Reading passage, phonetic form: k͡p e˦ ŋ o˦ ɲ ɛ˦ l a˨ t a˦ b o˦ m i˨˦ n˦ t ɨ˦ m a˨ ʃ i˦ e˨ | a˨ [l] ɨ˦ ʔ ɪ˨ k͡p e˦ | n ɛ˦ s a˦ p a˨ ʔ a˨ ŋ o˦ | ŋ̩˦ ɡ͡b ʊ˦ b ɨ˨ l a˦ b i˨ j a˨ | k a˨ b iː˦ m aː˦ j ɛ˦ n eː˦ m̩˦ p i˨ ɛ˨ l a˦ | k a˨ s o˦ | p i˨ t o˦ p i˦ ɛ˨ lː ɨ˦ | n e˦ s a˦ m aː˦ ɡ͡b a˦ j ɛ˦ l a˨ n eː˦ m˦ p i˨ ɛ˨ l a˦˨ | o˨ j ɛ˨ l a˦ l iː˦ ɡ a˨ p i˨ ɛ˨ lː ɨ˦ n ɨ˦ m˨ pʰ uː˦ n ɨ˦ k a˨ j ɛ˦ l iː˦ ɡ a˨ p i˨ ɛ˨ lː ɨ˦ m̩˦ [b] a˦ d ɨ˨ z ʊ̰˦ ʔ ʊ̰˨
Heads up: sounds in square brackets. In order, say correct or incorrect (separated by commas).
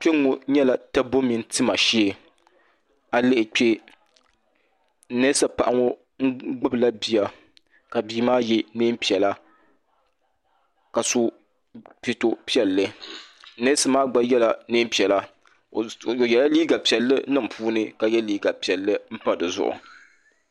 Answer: correct, incorrect